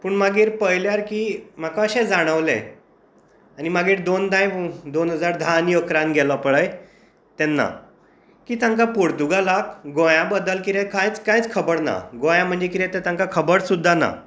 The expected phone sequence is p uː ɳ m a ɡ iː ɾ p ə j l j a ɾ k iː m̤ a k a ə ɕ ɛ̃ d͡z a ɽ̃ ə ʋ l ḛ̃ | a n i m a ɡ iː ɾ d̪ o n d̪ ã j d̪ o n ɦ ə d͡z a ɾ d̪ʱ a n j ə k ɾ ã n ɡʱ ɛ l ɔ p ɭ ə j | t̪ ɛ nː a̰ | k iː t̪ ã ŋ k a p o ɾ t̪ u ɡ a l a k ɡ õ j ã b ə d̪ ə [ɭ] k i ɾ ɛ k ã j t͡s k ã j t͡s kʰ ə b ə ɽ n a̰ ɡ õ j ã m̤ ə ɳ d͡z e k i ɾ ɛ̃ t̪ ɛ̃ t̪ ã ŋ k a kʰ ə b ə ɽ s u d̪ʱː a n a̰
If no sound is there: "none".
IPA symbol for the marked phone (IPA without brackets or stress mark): l